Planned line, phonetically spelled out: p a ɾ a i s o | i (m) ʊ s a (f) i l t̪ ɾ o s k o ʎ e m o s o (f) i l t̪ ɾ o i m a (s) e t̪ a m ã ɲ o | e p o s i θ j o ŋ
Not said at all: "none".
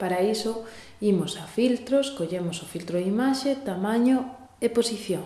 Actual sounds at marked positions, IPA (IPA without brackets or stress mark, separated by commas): m, f, f, ʃ